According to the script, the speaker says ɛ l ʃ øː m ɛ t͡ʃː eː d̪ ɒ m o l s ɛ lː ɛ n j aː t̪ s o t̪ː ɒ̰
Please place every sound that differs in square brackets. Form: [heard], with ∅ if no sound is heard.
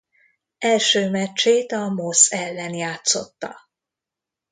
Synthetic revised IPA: ɛ l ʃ øː m ɛ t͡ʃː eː [t̪] ɒ m o [∅] s ɛ lː ɛ n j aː t̪ s o t̪ː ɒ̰